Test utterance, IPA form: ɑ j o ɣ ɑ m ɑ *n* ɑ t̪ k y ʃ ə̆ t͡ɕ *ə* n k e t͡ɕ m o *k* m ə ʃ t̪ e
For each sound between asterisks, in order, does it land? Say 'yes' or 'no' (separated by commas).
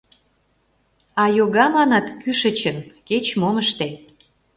yes, yes, no